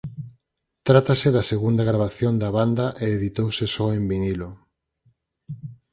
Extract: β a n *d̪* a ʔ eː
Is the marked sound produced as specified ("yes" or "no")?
yes